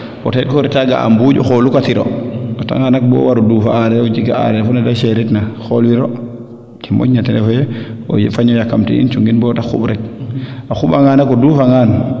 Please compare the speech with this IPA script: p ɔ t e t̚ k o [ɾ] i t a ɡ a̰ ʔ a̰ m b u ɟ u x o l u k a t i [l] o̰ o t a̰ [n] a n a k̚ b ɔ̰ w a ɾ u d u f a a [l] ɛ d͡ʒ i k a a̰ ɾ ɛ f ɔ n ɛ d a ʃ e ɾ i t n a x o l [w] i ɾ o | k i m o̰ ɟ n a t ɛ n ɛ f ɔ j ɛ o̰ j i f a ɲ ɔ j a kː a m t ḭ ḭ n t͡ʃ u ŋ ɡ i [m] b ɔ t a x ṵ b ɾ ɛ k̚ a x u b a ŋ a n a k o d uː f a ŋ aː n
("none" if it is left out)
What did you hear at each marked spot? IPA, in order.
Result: ɾ, ɾ, ŋ, ɾ, w, n

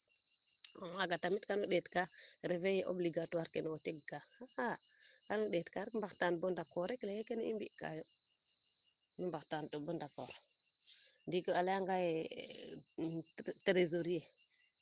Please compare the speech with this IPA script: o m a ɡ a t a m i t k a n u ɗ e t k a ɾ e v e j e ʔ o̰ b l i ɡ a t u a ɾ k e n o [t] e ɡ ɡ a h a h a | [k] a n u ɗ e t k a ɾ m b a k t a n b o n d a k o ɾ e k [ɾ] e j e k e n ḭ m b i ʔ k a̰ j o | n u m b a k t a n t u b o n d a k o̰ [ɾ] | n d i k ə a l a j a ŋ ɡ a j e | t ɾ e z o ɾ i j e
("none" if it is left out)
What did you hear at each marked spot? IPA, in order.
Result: t, k, l, ɾ

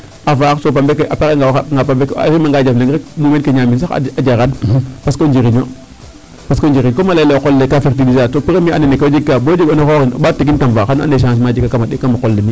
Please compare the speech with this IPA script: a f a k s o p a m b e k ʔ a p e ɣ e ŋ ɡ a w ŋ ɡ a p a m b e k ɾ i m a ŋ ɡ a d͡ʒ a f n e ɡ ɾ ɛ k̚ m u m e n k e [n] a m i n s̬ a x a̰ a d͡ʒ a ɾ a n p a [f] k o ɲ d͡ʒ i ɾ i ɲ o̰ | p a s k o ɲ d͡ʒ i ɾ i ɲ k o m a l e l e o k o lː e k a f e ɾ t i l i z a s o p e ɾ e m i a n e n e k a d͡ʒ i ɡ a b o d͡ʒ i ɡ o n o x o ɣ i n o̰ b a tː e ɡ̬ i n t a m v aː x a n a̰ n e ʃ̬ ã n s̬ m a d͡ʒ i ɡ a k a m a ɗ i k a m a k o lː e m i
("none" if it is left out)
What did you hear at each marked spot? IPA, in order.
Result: ɲ, s

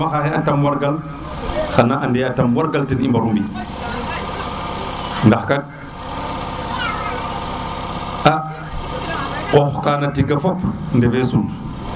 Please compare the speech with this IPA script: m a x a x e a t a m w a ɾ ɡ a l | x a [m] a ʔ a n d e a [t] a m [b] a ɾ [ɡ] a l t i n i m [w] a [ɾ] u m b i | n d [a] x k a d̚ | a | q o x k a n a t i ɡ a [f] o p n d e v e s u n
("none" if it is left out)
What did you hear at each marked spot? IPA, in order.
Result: n, t, w, ɡ, b, ɾ, a, f

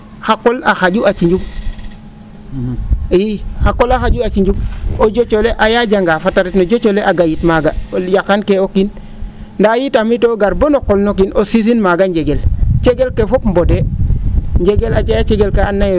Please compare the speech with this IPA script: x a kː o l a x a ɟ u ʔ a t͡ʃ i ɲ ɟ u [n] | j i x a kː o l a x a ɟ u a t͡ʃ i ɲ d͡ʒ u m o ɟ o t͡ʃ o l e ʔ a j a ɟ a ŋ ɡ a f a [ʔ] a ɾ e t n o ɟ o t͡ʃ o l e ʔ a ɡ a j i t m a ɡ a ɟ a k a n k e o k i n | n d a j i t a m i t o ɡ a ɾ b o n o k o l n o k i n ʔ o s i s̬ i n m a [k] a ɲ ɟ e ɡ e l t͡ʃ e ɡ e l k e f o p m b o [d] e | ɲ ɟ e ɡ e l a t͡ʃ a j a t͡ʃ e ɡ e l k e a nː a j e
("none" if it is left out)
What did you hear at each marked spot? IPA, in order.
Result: m, t, ɡ, d

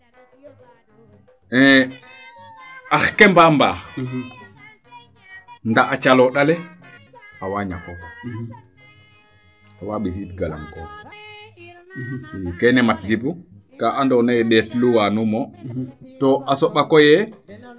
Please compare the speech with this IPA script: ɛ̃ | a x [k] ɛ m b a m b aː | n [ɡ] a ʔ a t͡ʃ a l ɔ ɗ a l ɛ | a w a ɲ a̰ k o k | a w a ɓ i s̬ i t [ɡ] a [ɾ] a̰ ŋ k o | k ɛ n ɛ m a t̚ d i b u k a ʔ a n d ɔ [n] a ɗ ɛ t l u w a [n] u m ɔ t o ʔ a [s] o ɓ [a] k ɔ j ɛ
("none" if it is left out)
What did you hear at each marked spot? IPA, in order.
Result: k, d, ɡ, l, n, n, s, a

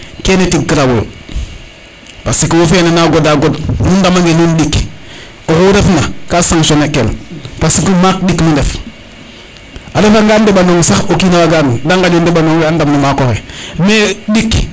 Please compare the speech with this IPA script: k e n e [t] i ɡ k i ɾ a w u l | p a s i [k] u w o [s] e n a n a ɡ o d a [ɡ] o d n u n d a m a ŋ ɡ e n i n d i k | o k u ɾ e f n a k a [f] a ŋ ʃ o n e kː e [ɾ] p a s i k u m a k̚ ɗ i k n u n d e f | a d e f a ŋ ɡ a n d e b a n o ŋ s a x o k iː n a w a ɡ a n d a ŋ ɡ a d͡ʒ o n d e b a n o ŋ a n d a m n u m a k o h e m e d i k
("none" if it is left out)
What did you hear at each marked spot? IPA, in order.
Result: t, k, f, ɡ, s, l

